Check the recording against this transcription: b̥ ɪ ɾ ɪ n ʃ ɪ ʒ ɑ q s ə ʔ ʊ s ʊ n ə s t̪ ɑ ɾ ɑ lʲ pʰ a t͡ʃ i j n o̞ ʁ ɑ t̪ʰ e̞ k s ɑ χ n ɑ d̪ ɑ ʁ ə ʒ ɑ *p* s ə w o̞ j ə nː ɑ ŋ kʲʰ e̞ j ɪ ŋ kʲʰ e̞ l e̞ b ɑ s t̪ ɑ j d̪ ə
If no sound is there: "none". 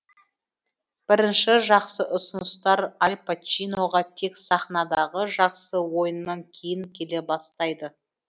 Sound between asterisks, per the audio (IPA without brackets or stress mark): q